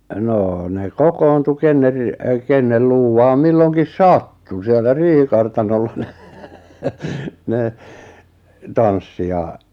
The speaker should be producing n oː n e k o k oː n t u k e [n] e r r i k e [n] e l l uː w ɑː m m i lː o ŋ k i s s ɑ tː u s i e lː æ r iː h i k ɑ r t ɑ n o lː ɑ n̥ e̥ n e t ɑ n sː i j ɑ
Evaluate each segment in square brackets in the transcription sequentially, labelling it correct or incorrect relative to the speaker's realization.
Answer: incorrect: nː, incorrect: nː

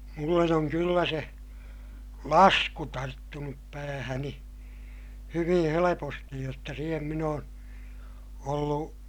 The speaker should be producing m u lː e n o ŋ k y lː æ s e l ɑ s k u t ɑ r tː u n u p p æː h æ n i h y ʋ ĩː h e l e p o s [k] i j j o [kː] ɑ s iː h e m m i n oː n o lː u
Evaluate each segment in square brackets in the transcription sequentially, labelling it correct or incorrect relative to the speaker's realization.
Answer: incorrect: t, incorrect: tː

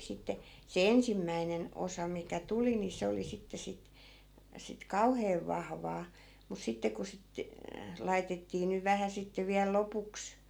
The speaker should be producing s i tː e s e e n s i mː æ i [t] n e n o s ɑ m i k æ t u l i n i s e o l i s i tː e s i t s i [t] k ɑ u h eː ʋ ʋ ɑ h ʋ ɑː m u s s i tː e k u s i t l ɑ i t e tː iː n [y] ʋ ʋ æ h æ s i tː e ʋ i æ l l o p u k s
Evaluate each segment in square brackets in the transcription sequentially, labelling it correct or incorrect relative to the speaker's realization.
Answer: incorrect: none, correct, correct

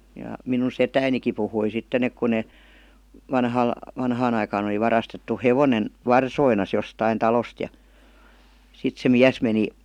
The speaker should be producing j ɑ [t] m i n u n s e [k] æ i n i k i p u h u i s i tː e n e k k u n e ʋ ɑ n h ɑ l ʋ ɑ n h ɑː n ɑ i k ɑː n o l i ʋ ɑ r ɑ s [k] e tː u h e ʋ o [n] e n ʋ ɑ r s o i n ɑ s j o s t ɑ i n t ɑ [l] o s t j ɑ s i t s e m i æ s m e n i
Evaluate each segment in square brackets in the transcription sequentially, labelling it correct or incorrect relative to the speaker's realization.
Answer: incorrect: none, incorrect: t, incorrect: t, correct, correct

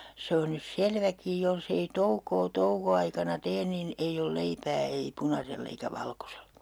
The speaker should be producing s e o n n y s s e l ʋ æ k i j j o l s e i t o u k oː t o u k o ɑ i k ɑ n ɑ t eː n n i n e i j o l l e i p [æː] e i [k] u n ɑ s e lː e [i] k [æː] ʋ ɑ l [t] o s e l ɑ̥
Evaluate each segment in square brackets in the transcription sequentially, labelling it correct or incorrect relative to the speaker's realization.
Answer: correct, incorrect: p, correct, incorrect: æ, incorrect: k

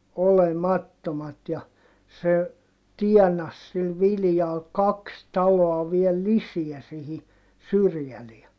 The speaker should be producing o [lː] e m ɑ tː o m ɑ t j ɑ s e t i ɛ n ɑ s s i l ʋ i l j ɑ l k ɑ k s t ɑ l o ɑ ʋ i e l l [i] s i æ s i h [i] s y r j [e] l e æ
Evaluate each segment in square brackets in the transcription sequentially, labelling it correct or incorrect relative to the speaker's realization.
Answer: incorrect: l, correct, correct, incorrect: æ

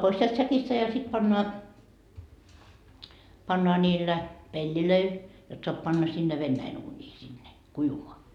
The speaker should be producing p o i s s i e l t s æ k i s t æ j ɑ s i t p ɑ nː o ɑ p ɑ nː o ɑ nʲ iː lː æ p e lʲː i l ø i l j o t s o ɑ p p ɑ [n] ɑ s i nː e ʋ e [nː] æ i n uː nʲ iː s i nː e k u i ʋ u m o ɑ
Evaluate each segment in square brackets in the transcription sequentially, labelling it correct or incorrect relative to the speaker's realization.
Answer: incorrect: nː, correct

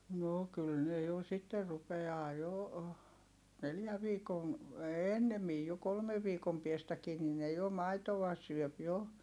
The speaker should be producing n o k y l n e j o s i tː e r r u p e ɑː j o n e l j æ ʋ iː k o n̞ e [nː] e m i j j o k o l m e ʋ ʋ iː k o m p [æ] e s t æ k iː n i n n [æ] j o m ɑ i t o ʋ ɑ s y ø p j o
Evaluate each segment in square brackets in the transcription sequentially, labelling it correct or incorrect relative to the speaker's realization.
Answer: correct, incorrect: i, incorrect: e

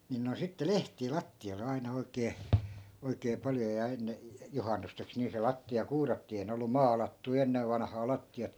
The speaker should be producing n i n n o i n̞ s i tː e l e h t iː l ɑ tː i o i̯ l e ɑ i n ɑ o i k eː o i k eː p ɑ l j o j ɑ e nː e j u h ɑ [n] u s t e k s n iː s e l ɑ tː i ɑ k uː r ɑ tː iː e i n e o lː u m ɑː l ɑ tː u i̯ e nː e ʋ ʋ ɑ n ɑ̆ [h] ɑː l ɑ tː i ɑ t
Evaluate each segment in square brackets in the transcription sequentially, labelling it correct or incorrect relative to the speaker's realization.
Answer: incorrect: nː, correct

